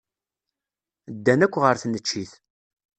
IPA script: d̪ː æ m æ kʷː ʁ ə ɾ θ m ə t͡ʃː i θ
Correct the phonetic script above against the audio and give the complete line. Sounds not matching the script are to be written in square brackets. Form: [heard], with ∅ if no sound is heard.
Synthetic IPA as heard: d̪ː æ [n] æ kʷː ʁ ə ɾ θ [n] ə t͡ʃː i θ